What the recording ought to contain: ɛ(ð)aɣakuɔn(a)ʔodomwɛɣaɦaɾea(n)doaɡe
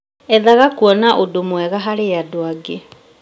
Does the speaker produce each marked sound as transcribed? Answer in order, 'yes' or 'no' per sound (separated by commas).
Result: yes, yes, no